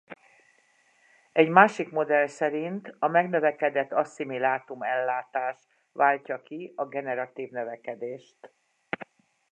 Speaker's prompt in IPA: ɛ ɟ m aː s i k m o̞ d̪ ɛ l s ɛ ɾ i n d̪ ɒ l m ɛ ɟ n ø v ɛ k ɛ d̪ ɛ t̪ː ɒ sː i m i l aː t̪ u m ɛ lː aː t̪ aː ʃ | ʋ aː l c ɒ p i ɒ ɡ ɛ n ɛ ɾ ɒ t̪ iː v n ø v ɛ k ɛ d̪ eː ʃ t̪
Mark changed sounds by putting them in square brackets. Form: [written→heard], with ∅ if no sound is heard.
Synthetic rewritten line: ɛ ɟ m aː [s→ʃ] i k m o̞ d̪ ɛ l s ɛ ɾ i n [d̪→t̪] ɒ [l→∅] m ɛ [ɟ→ɡ] n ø v ɛ k ɛ d̪ ɛ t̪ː ɒ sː i m i l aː t̪ u m ɛ lː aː t̪ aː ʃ | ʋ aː l c ɒ [p→k] i ɒ ɡ ɛ n ɛ ɾ ɒ t̪ iː v n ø v ɛ k ɛ d̪ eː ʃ t̪

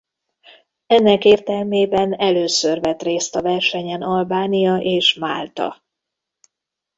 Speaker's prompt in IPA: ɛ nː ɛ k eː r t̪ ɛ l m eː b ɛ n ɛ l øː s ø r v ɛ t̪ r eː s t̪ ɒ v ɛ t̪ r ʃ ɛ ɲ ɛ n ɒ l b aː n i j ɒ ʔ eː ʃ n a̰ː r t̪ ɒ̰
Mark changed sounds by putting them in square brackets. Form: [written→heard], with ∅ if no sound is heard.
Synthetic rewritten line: ɛ nː ɛ k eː r t̪ ɛ l m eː b ɛ n ɛ l øː s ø r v ɛ t̪ r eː s t̪ ɒ v ɛ [t̪→∅] r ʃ ɛ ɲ ɛ n ɒ l b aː n i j ɒ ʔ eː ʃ [n→m] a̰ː [r→l] t̪ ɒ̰

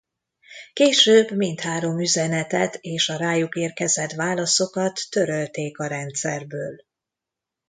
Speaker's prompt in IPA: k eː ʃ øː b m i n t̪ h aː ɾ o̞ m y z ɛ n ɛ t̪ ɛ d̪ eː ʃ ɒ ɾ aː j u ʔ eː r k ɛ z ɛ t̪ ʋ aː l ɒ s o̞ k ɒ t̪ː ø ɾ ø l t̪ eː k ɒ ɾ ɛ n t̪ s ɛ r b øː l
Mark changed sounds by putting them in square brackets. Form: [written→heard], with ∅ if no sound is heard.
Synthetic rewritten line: k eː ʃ øː b m i n t̪ h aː ɾ o̞ m y z ɛ n ɛ t̪ ɛ [d̪→t̪] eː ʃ ɒ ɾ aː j u [ʔ→k] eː r k ɛ z ɛ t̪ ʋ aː l ɒ s o̞ k ɒ t̪ː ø ɾ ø l t̪ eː k ɒ ɾ ɛ n t̪ s ɛ r b øː l

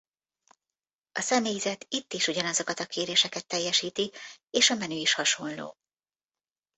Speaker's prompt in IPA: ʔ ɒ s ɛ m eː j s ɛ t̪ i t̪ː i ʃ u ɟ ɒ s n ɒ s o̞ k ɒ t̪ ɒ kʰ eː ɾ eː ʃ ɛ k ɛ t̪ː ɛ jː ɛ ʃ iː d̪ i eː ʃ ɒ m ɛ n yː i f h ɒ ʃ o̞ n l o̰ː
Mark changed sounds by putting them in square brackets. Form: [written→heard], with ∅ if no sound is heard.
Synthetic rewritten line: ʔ ɒ s ɛ m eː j [s→z] ɛ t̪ i t̪ː i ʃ u ɟ ɒ [s→∅] n ɒ [s→z] o̞ k ɒ t̪ ɒ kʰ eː ɾ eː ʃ ɛ k ɛ t̪ː ɛ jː ɛ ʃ iː [d̪→t̪] i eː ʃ ɒ m ɛ n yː i [f→ʃ] h ɒ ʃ o̞ n l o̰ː

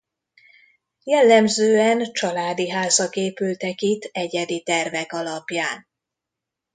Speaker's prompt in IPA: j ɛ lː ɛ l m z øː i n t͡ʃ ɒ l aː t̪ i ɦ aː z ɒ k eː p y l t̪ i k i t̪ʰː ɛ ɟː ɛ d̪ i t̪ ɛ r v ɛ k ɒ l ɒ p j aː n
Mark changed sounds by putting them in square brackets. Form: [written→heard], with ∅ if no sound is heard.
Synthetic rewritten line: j ɛ lː ɛ [l→∅] m z øː [i→ɛ] n t͡ʃ ɒ l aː [t̪→d̪] i ɦ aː z ɒ k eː p y l t̪ [i→ɛ] k i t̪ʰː ɛ [ɟː→ɟ] ɛ d̪ i t̪ ɛ r v ɛ k ɒ l ɒ p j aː n

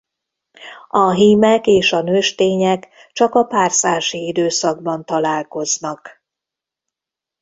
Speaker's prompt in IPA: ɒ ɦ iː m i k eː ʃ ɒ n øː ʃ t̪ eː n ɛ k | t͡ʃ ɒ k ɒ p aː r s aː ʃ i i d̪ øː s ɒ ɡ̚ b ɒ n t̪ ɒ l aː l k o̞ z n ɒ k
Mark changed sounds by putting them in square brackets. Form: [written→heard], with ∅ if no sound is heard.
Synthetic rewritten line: ɒ ɦ iː m [i→ɛ] k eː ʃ ɒ n øː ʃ t̪ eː [n→ɲ] ɛ k | t͡ʃ ɒ k ɒ p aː r s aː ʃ i i d̪ øː s ɒ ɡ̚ b ɒ n t̪ ɒ l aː l k o̞ z n ɒ k

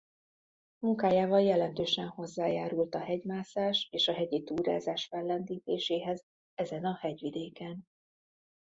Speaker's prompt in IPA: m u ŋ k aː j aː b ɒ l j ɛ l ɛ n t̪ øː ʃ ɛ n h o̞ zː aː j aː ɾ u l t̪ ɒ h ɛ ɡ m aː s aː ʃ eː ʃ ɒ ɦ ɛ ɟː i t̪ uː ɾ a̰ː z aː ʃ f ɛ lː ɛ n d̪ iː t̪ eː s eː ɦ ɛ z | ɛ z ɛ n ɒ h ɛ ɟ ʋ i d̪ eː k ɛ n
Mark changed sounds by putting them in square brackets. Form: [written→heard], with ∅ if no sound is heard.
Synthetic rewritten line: m u ŋ k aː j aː [b→v] ɒ l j ɛ l ɛ n t̪ øː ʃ ɛ n h o̞ zː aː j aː ɾ u l t̪ ɒ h ɛ [ɡ→ɟ] m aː s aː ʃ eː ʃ ɒ ɦ ɛ [ɟː→ɟ] i t̪ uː ɾ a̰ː z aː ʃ f ɛ lː ɛ n d̪ iː t̪ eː [s→ʃ] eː ɦ ɛ z | ɛ z ɛ n ɒ h ɛ ɟ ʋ i d̪ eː k ɛ n

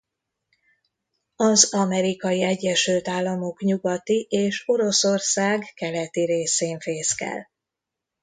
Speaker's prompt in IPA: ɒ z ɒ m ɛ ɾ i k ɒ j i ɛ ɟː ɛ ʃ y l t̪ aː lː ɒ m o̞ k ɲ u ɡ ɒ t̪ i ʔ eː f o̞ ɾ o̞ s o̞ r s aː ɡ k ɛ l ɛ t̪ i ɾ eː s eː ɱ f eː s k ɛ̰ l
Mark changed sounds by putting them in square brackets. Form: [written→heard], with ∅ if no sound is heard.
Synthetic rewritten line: ɒ z ɒ m ɛ ɾ i k ɒ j i ɛ ɟː ɛ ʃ y l t̪ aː lː ɒ m o̞ k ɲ u ɡ ɒ t̪ i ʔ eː [f→ʃ] o̞ ɾ o̞ s o̞ r s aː ɡ k ɛ l ɛ t̪ i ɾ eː s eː ɱ f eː s k ɛ̰ l

